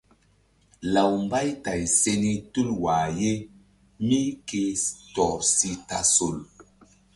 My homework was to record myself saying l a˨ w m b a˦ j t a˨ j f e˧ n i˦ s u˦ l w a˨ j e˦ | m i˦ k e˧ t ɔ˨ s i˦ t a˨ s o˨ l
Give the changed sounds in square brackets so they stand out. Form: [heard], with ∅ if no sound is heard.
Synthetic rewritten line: l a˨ w m b a˦ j t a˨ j [s] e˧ n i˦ [t] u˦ l w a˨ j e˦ | m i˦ k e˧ t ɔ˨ s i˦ t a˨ s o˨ l